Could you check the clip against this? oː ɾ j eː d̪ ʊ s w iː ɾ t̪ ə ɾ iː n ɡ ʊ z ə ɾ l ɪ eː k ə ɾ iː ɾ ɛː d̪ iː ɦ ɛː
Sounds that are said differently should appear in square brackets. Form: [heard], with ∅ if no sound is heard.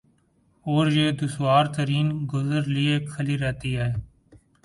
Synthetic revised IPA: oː ɾ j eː d̪ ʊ s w [aː] ɾ t̪ ə ɾ iː n ɡ ʊ z ə ɾ l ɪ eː [kʰ] ə [l] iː ɾ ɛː [t̪] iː ɦ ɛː